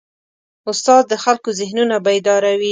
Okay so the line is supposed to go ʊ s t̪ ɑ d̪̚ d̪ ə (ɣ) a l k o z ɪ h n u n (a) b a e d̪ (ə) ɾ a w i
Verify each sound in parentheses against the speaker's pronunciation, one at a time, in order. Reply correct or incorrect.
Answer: incorrect: x, correct, incorrect: ɑ

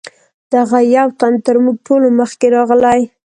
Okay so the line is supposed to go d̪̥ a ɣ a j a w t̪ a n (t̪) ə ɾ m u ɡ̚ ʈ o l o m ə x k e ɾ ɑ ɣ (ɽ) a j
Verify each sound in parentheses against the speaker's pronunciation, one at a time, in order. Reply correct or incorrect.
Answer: correct, incorrect: l

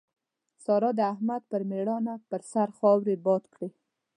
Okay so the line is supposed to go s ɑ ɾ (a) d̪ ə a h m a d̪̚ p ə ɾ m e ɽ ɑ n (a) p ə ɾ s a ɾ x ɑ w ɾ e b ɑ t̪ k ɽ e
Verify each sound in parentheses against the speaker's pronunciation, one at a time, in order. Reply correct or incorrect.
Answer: incorrect: ɑ, correct

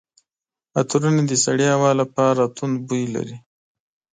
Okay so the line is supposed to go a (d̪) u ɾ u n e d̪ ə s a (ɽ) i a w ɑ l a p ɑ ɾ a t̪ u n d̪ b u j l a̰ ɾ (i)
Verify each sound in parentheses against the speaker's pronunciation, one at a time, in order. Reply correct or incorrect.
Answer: incorrect: t̪, correct, correct

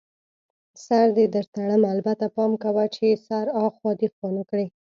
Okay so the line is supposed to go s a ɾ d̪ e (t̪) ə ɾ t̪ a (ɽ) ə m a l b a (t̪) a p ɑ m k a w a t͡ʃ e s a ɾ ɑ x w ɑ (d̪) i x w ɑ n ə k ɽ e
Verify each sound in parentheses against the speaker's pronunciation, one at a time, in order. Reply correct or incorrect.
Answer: incorrect: d̪, correct, correct, correct

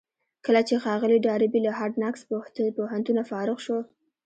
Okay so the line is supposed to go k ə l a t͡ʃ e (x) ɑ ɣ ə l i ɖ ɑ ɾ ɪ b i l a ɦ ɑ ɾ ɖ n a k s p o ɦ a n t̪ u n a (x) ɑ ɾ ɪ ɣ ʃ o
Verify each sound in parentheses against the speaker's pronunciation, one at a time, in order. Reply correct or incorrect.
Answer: correct, incorrect: f

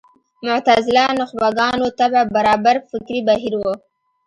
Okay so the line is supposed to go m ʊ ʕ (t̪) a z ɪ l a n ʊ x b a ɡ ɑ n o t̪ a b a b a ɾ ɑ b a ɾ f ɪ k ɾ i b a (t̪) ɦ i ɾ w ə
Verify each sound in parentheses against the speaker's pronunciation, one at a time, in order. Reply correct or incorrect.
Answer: correct, incorrect: none

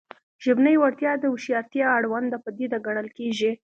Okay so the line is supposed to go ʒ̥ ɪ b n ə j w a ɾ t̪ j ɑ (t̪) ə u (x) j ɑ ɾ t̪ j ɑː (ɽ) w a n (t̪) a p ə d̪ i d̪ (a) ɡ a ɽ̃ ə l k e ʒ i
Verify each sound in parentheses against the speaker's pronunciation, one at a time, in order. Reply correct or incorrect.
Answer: incorrect: d̪, incorrect: ʃ, correct, incorrect: d̪, correct

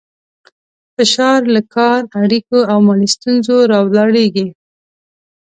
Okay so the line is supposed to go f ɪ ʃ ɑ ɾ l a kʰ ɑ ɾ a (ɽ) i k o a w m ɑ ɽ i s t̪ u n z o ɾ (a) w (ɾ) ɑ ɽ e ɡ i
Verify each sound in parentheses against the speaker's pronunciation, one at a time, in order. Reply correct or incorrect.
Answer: correct, incorrect: ɑ, incorrect: l

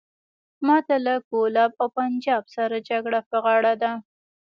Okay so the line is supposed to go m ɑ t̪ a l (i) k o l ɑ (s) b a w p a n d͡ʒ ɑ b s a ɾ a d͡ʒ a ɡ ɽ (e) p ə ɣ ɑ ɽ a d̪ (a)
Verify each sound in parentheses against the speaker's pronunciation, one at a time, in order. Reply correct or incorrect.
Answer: incorrect: a, incorrect: none, incorrect: a, correct

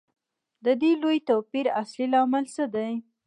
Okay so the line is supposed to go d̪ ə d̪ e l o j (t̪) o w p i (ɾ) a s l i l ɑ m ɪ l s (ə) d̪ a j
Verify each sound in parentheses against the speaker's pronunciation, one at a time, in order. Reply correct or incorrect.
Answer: correct, correct, correct

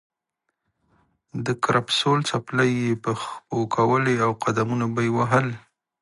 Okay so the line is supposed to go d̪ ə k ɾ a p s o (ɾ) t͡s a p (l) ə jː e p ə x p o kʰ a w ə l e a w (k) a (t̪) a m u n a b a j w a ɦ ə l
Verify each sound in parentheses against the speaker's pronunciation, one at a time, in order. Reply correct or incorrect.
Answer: incorrect: l, correct, incorrect: q, incorrect: d̪

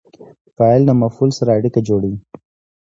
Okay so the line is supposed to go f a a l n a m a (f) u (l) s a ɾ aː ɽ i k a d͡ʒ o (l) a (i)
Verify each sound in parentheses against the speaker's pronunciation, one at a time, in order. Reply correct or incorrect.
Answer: correct, correct, incorrect: ɽ, correct

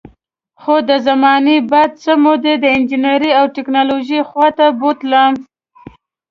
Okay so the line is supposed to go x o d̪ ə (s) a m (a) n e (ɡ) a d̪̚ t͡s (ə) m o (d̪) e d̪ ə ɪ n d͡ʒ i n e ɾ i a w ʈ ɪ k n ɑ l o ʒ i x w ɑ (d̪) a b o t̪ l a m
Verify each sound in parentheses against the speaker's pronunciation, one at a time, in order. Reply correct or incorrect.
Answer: incorrect: z, incorrect: ɑ, incorrect: b, correct, correct, incorrect: t̪

